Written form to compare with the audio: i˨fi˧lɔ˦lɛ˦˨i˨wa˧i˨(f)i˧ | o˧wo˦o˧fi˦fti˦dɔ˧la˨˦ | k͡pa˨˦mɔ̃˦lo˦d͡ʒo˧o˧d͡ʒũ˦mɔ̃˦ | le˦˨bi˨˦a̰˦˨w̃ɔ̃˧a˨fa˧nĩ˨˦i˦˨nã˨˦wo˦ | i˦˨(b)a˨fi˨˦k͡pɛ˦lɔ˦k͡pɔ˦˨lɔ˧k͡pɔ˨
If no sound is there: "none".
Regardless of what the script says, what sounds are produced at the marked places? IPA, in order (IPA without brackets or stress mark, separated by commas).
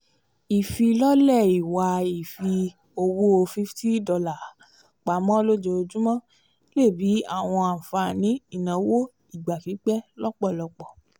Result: f, ɡ͡b